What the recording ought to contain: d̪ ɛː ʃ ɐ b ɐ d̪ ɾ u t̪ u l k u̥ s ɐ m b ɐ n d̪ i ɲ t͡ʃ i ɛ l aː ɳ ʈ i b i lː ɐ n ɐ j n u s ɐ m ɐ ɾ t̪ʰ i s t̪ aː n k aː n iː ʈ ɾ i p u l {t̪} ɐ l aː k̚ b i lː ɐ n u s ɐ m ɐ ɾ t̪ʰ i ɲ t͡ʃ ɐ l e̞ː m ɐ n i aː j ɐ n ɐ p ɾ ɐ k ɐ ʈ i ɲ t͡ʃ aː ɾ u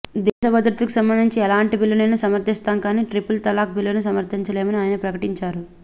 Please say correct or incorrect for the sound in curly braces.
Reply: correct